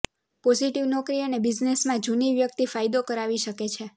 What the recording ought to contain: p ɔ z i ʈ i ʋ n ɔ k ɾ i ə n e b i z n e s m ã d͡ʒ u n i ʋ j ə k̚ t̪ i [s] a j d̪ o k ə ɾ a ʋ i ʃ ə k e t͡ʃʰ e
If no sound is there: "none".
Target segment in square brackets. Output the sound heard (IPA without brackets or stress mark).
f